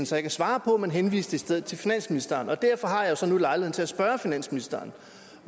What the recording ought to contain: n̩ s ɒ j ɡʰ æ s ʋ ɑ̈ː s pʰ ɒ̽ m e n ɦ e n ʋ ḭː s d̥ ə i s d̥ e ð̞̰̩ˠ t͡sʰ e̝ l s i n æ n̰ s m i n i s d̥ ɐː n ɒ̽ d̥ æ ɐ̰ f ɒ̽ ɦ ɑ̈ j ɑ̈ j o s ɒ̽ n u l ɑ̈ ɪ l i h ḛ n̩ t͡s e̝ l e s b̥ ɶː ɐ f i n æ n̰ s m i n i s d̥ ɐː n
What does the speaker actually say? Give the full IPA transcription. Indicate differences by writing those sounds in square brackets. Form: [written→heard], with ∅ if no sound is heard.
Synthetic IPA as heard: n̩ s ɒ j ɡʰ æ s ʋ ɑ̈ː [s→∅] pʰ ɒ̽ m e n ɦ e n ʋ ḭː s d̥ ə i s d̥ e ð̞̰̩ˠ t͡sʰ e̝ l [s→f] i n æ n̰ s m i n i s d̥ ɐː n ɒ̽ d̥ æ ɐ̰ f ɒ̽ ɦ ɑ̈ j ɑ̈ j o s ɒ̽ n u l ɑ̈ ɪ l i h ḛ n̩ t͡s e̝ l [e→æ] s b̥ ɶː ɐ f i n æ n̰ s m i n i s d̥ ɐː n